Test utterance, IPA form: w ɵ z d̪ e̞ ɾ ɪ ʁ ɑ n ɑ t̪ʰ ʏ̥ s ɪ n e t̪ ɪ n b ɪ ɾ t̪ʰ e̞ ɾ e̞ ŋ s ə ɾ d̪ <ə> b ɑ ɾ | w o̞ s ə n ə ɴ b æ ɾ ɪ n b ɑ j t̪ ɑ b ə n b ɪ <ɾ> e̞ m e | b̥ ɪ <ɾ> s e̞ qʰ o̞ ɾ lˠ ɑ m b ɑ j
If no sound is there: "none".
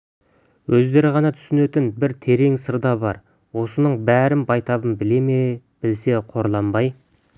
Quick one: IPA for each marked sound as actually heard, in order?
ɑ, l, l

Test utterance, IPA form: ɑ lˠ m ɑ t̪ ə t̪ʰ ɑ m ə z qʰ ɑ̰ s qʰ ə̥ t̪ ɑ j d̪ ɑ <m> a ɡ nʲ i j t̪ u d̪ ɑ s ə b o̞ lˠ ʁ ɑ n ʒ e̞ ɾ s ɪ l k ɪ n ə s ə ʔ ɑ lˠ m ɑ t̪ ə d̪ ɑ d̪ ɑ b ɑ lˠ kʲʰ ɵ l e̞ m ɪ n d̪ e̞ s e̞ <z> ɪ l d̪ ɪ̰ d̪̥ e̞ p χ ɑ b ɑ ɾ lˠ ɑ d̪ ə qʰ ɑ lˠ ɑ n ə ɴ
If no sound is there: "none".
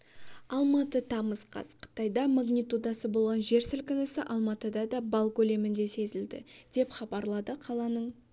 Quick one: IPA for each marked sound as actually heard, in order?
m, z

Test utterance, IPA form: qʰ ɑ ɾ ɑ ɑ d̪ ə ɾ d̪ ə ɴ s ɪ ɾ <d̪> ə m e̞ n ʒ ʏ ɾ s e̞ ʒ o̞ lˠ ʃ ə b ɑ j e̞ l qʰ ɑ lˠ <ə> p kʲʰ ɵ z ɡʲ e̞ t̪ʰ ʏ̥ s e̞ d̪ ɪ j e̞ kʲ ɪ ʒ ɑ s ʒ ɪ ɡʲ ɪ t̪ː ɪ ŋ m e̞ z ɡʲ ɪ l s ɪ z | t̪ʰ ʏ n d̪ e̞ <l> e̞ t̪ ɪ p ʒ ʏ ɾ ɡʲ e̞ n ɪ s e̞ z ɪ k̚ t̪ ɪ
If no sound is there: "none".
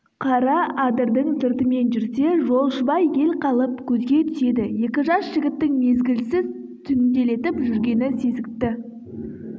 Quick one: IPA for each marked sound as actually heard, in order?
t̪, ə, l

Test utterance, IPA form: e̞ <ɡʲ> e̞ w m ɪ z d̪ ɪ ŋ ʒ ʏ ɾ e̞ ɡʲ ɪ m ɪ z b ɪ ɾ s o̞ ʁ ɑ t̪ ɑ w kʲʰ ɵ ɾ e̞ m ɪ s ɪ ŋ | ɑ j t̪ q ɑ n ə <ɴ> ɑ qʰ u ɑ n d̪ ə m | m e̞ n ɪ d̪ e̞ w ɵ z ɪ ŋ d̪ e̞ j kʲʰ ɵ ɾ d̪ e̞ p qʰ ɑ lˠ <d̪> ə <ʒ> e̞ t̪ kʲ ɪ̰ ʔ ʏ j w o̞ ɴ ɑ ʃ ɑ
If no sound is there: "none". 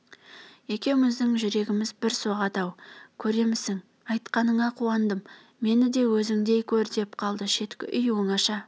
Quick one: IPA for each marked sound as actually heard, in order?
kʲ, ɴ, d̪, ʃ

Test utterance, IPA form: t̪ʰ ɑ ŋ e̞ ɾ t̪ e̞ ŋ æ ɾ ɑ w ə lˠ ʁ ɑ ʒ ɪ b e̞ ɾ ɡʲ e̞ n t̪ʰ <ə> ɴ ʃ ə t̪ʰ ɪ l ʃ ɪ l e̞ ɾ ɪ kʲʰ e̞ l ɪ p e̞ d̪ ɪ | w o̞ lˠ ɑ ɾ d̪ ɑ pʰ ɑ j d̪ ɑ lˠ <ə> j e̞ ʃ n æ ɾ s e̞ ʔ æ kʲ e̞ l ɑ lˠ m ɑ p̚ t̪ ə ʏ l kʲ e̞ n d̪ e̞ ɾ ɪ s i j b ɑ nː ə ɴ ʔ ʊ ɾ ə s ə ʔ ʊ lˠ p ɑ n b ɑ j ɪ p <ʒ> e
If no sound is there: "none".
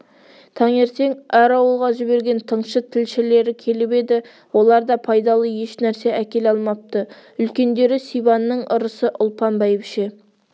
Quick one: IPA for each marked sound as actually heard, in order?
ə, ə, ʃ

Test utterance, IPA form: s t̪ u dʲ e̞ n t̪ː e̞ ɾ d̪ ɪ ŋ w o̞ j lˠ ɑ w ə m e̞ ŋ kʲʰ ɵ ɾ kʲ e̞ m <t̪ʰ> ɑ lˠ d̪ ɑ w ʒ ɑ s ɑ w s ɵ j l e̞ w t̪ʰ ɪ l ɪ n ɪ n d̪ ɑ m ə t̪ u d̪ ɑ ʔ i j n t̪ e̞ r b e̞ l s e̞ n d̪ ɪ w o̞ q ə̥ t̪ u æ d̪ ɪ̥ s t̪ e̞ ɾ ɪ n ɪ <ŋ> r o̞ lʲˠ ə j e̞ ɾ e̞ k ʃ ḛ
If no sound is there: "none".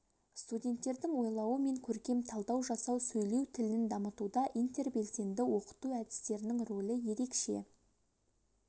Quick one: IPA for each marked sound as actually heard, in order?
t̪ʰ, ŋ

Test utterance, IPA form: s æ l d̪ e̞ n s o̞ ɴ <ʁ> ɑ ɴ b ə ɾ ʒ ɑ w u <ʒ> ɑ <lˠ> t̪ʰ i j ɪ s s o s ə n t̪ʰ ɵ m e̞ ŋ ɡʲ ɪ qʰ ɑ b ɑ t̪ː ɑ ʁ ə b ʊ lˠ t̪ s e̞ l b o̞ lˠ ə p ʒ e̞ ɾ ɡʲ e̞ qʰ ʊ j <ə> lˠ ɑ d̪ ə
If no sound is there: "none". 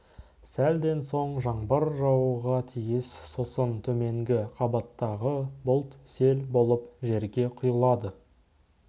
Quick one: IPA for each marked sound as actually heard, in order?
ʒ, ʁ, none, ə

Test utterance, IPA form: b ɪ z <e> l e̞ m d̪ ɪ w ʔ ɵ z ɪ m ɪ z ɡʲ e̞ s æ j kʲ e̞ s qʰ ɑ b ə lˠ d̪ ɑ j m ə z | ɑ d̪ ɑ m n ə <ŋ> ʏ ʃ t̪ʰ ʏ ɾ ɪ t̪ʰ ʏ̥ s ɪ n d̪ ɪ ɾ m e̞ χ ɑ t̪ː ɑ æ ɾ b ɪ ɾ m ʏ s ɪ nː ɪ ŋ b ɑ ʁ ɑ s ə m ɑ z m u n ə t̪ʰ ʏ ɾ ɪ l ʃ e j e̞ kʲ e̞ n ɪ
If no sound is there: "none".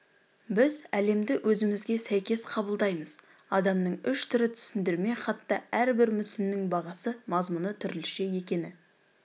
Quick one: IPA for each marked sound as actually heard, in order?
æ, ɴ

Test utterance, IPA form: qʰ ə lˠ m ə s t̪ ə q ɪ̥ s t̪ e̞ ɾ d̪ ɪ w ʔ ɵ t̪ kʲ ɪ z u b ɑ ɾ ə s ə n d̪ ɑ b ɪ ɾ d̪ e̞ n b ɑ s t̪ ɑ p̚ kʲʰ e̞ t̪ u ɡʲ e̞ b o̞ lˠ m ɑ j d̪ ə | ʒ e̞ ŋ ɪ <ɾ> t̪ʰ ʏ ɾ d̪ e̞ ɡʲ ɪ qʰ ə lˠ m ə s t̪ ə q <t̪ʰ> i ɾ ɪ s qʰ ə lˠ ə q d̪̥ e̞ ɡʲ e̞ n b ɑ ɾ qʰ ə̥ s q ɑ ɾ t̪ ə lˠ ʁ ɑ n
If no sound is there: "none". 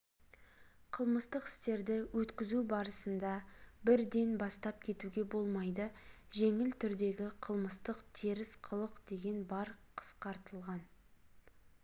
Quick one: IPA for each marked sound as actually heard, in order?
l, t̪ʰ

